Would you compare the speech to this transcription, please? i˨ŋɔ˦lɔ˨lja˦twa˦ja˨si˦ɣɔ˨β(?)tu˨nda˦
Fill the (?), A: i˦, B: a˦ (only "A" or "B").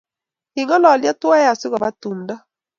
B